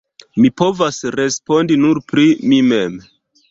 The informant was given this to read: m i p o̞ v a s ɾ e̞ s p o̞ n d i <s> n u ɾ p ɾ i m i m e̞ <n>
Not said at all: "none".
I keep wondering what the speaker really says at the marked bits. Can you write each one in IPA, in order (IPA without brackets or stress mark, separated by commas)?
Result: none, m